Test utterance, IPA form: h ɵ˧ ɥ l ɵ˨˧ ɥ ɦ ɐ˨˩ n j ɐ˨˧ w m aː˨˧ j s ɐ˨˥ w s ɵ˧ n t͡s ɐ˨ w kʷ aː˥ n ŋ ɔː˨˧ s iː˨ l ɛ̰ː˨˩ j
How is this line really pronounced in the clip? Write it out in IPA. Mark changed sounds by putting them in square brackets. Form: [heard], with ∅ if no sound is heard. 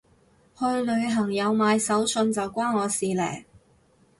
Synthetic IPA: h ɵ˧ ɥ l ɵ˨˧ ɥ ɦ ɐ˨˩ [ŋ] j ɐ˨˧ w m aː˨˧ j s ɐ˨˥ w s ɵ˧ n t͡s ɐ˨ w kʷ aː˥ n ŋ ɔː˨˧ s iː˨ l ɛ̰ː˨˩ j